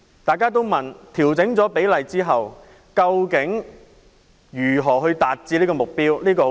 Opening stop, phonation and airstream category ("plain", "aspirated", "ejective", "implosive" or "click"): plain